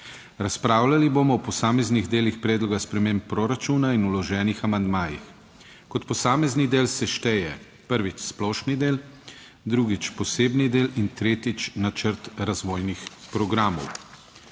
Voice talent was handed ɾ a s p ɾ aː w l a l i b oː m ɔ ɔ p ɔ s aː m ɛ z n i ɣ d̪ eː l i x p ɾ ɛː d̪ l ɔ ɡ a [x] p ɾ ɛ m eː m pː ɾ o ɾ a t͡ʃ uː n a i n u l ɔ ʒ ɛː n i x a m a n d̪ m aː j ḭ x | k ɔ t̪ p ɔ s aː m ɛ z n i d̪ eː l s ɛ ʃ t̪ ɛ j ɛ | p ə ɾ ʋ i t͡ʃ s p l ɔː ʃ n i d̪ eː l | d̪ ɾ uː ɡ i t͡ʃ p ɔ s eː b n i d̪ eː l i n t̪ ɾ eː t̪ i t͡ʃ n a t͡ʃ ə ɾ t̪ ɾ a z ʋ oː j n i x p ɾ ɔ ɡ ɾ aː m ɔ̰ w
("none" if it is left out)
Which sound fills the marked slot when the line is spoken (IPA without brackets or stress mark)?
s